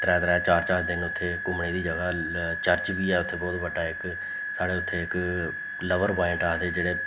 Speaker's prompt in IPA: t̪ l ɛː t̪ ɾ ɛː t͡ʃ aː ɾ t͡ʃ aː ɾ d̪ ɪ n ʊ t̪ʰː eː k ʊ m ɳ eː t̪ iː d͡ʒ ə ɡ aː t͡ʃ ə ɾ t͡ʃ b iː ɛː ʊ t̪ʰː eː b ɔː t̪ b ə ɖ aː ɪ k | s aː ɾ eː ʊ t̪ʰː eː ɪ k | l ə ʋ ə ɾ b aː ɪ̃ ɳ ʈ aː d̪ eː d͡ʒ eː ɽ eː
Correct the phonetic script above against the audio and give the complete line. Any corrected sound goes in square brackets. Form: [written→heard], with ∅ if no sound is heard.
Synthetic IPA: t̪ [l→ɾ] ɛː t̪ ɾ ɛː t͡ʃ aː ɾ t͡ʃ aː ɾ d̪ ɪ n ʊ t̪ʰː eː k ʊ m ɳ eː [t̪→d̪] iː d͡ʒ ə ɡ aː t͡ʃ ə ɾ t͡ʃ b iː ɛː ʊ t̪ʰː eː b ɔː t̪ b ə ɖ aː ɪ k | s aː [ɾ→ɽ] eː ʊ t̪ʰː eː ɪ k | l ə ʋ ə ɾ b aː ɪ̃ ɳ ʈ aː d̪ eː d͡ʒ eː ɽ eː